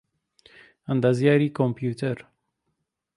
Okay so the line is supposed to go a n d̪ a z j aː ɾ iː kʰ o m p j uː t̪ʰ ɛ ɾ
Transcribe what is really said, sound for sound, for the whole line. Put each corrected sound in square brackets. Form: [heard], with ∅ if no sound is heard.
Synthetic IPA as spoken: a n d̪ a z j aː ɾ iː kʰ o m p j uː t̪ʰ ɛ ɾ

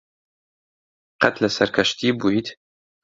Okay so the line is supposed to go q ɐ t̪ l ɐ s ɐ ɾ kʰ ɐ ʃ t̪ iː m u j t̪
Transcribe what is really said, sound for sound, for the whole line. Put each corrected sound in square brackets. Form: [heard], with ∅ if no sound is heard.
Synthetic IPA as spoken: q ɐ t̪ l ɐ s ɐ ɾ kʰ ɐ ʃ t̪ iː [b] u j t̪

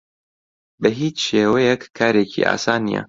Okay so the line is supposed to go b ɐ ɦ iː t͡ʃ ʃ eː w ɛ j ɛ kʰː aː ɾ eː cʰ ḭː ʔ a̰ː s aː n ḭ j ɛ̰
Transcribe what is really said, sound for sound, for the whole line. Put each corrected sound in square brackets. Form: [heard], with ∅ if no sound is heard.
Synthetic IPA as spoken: b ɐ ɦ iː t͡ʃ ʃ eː w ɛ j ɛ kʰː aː ɾ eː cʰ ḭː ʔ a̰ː s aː n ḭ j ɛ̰

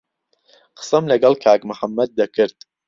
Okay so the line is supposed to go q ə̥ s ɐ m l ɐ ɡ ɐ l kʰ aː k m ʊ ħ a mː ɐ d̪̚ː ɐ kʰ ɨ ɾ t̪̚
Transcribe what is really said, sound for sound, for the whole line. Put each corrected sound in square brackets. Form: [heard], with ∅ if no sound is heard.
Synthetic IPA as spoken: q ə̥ s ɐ m l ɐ ɡ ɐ l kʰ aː k m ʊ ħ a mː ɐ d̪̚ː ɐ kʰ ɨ ɾ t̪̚

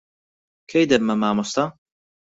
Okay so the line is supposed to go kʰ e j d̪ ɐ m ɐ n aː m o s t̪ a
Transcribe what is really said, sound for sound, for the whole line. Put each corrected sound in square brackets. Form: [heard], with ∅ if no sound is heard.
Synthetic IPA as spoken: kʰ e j d̪ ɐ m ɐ [m] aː m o s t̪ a

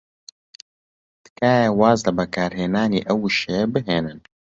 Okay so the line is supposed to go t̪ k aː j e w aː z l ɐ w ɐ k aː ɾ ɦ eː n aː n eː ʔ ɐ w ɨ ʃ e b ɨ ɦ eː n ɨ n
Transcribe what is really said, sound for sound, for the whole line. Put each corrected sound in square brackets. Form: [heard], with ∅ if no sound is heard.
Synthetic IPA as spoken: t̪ k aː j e w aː z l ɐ [b] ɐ k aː ɾ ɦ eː n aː n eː ʔ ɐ w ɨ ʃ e b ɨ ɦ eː n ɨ n

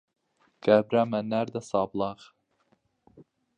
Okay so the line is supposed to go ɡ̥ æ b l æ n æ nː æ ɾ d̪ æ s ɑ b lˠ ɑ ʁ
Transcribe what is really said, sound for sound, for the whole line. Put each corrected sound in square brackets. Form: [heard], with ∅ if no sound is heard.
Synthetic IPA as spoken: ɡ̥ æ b [ɾ] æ [m] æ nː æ ɾ d̪ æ s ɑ b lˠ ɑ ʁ

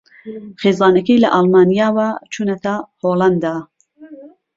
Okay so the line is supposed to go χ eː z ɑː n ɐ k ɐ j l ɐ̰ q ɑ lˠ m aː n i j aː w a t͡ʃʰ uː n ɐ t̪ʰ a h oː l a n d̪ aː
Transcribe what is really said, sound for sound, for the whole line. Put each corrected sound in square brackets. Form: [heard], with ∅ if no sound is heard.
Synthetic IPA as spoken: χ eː z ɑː n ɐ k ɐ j l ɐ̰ [ʔ] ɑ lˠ m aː n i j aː w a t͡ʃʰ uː n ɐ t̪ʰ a h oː l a n d̪ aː

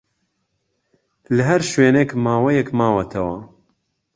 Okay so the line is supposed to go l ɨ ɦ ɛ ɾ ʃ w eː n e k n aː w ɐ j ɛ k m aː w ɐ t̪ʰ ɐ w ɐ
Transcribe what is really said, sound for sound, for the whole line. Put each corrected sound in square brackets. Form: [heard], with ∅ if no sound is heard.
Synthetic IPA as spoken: l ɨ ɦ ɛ ɾ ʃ w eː n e k [m] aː w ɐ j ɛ k m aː w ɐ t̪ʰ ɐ w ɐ

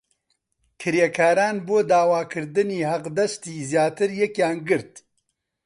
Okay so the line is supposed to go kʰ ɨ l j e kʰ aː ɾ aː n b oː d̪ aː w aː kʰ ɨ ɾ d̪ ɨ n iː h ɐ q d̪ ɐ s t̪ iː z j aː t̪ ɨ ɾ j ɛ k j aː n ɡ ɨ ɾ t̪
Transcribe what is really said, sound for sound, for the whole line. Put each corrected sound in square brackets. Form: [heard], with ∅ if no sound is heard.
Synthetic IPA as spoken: kʰ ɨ [ɾ] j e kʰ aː ɾ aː n b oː d̪ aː w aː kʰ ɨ ɾ d̪ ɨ n iː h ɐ q d̪ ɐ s t̪ iː z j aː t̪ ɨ ɾ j ɛ k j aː n ɡ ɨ ɾ t̪

